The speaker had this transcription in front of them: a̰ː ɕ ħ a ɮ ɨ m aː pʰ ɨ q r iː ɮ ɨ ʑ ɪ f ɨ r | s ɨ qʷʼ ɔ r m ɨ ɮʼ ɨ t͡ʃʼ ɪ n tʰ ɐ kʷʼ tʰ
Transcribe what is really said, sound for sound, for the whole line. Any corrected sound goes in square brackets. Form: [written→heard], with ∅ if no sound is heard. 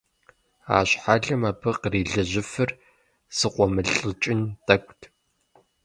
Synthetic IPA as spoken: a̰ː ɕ ħ a ɮ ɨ m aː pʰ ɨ q r iː ɮ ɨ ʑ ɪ f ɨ r | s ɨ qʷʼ ɔ [r→∅] m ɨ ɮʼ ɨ t͡ʃʼ ɪ n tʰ ɐ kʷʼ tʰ